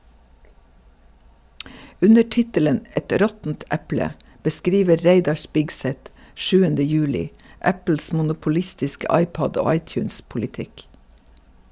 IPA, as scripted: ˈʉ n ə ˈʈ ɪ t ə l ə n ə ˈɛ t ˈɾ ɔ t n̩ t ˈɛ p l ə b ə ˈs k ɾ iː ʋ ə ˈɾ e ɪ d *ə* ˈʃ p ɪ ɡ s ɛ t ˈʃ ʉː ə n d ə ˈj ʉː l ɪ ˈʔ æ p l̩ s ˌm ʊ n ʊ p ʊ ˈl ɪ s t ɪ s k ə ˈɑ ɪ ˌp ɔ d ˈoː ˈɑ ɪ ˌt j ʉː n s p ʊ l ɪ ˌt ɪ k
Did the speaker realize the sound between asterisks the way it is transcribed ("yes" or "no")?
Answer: no